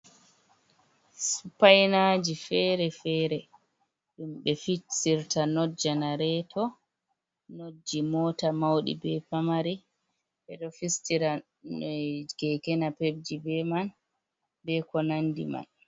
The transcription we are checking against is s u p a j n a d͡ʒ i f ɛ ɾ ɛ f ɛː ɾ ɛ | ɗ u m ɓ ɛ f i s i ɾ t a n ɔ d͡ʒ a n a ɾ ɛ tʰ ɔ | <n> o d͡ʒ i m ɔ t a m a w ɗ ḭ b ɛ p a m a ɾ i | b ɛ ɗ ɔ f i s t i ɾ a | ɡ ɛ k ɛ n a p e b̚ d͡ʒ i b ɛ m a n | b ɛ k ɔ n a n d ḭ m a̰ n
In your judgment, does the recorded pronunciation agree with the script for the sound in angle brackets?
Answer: yes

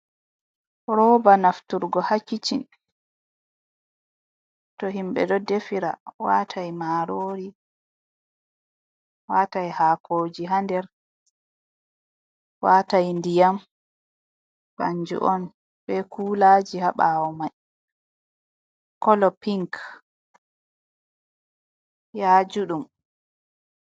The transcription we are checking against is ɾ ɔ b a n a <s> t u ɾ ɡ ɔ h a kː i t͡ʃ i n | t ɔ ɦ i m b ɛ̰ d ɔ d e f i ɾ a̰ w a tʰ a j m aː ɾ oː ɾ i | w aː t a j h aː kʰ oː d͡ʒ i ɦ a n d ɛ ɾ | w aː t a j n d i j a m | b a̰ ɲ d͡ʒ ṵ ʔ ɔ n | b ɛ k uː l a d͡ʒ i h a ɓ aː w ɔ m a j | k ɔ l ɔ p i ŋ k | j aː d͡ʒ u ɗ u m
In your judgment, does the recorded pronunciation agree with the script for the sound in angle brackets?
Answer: no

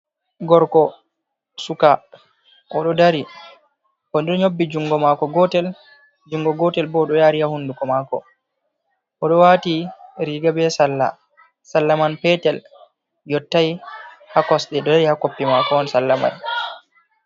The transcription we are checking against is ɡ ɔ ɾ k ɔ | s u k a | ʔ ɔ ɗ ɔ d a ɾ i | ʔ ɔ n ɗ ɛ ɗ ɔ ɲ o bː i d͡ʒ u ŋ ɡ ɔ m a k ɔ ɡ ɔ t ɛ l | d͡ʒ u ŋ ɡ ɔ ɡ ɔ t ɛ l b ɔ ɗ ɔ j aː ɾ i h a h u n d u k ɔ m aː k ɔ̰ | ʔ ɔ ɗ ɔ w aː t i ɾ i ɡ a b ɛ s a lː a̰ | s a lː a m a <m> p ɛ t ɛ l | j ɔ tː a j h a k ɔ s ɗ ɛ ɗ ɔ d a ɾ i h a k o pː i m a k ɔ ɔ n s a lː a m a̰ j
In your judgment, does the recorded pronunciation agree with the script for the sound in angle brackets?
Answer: no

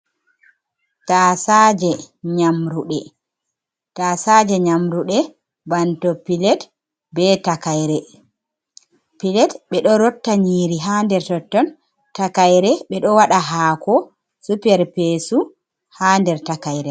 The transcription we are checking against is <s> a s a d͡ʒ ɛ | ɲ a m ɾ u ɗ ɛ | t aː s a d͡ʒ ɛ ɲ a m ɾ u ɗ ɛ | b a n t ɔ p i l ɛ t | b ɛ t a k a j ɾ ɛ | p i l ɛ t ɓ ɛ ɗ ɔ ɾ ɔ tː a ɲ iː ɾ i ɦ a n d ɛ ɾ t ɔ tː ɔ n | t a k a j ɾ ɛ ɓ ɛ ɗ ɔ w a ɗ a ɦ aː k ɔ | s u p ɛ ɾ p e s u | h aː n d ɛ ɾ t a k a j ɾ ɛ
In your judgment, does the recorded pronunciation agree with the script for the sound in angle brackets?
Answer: no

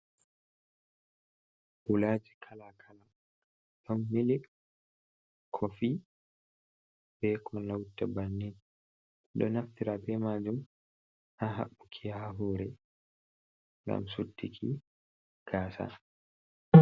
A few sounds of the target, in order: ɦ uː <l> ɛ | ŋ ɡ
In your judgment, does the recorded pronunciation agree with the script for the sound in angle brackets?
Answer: no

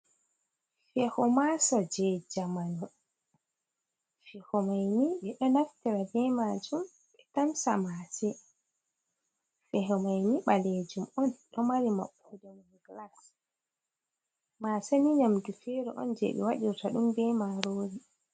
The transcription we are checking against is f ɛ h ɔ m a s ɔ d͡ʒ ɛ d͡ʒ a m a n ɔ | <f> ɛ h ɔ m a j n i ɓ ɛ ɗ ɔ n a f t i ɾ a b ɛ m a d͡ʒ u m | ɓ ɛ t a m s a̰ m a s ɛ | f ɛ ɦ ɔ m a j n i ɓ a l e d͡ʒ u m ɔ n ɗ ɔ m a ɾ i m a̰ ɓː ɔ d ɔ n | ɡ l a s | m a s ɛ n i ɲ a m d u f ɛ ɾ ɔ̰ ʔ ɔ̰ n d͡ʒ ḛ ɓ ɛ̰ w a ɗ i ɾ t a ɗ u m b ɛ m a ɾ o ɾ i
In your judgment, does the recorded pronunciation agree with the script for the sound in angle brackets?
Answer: yes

